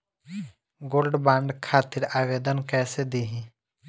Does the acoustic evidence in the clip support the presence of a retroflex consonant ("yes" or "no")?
yes